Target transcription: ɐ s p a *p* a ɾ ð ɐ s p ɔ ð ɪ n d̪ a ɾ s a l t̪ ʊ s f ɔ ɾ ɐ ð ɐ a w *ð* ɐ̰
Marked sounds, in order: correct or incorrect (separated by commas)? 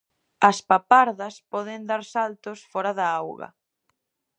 correct, incorrect